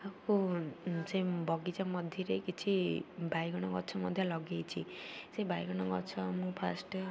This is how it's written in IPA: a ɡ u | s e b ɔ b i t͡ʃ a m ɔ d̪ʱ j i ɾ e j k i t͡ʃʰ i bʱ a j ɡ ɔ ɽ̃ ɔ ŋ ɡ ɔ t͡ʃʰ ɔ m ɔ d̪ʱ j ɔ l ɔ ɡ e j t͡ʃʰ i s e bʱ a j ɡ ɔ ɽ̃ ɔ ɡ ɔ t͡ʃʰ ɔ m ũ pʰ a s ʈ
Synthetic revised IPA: a k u | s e b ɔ ɡ i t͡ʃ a m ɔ d̪ʱ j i ɾ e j k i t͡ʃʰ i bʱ a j ɡ ɔ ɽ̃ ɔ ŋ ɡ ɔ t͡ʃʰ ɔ m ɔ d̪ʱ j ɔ l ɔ ɡ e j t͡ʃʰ i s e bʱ a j ɡ ɔ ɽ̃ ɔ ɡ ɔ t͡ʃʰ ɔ m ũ pʰ a s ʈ